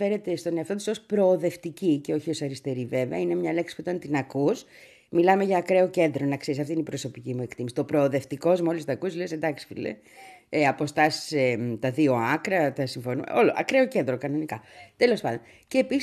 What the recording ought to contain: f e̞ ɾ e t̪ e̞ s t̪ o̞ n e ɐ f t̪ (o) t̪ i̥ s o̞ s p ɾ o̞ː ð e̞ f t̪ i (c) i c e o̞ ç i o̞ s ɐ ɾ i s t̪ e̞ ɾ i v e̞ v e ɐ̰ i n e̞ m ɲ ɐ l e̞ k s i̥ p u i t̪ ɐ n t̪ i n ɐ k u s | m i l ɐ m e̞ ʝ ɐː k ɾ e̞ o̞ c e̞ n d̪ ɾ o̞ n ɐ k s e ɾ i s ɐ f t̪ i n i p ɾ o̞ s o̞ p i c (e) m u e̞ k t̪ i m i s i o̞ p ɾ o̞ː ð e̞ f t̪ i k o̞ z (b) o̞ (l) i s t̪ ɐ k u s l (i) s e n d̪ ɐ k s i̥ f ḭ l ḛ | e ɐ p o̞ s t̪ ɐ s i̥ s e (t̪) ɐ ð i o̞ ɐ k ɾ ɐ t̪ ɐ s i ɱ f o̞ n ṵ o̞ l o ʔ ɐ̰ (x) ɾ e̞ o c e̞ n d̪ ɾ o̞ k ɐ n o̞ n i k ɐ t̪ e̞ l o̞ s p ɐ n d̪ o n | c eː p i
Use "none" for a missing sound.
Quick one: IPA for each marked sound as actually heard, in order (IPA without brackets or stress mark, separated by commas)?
o, c, i, m, l, e, t̪, k